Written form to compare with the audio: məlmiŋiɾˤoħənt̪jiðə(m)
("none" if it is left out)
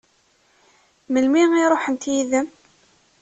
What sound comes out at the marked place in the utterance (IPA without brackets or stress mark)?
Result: m